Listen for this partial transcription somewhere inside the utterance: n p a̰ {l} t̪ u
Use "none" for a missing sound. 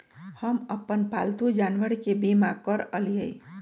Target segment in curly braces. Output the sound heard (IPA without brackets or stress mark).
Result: l